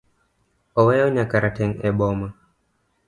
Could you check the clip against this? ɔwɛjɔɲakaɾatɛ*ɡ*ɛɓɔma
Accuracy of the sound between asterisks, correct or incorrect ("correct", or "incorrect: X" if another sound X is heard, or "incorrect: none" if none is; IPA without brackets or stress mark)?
incorrect: ŋ